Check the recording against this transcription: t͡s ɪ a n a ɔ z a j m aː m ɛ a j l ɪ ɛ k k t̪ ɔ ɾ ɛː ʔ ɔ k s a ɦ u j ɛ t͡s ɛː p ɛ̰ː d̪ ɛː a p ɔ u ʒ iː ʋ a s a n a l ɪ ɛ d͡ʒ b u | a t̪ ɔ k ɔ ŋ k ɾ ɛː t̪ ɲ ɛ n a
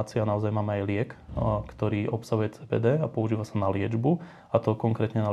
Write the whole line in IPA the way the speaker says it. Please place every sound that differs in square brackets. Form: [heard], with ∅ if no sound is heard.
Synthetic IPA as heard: t͡s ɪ a n a ɔ z a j m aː m ɛ a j l ɪ ɛ k k t̪ ɔ ɾ [iː] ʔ ɔ [p] s a ɦ u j ɛ t͡s ɛː p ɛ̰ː d̪ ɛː a p ɔ u ʒ iː ʋ a s a n a l ɪ ɛ d͡ʒ b u | a t̪ ɔ k ɔ ŋ k ɾ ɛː t̪ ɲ ɛ n a